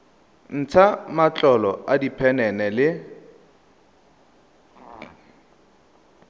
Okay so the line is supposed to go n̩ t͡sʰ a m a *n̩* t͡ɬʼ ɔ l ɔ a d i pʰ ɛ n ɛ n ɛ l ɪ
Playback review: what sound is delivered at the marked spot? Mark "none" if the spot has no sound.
none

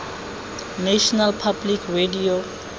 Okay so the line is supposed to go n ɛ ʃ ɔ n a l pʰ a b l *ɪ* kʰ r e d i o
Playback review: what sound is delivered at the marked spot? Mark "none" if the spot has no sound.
i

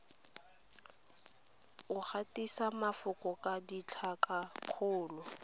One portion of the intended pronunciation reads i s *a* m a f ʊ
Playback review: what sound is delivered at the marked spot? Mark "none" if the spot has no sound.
a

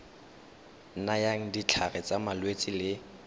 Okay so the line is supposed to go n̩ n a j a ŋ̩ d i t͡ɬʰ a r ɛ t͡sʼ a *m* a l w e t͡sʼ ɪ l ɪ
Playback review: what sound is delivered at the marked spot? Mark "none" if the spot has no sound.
m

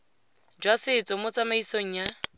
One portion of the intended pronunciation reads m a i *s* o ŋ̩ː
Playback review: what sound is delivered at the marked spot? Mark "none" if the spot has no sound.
s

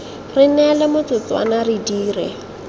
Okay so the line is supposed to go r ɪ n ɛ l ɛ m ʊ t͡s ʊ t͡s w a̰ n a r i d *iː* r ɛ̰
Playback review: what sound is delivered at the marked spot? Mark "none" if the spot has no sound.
iː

